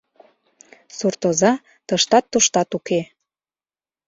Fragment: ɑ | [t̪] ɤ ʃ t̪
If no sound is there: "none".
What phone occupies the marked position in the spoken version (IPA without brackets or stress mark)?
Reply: t̪